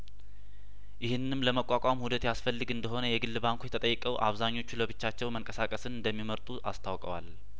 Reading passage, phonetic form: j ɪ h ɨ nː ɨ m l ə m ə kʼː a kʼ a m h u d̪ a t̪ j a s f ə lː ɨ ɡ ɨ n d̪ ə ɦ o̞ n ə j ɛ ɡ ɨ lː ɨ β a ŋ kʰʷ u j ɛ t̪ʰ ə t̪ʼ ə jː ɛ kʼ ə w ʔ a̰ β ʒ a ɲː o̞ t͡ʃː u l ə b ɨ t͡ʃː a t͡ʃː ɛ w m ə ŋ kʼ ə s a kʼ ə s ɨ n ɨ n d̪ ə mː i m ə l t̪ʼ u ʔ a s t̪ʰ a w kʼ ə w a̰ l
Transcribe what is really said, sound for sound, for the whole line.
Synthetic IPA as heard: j ɪ h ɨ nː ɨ m l ə m ə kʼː a kʼ a m h u d̪ ə t̪ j a s f ə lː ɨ ɡ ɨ n d̪ ə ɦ o̞ n ə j ɛ ɡ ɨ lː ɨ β a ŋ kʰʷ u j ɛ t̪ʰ ə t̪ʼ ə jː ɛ kʼ ə w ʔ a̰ β z a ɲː o̞ t͡ʃː u l ə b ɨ t͡ʃː a t͡ʃː ɛ w m ə ŋ kʼ ə s a kʼ ə s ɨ n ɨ n d̪ ə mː i m ə ɾ t̪ʼ u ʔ a s t̪ʰ a w kʼ ə w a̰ l